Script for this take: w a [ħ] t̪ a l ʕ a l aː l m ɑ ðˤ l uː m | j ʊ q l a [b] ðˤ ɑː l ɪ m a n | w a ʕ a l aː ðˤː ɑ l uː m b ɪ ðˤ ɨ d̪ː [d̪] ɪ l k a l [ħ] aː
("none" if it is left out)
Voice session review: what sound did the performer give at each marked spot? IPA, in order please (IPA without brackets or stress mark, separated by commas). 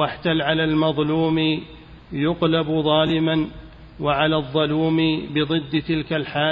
ħ, b, t̪, ħ